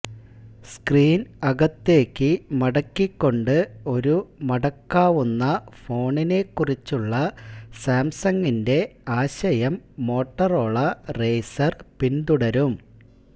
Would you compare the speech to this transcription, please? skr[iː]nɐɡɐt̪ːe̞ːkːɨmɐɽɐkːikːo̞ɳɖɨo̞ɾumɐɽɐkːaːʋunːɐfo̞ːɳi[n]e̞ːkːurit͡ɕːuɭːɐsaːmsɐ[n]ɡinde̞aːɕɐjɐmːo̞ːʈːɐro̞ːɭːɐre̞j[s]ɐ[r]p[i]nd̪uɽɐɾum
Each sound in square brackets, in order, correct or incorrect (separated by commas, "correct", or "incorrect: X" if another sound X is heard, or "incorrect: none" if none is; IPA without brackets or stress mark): correct, correct, incorrect: ŋ, correct, correct, correct